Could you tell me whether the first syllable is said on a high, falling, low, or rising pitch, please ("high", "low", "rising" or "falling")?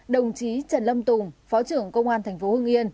low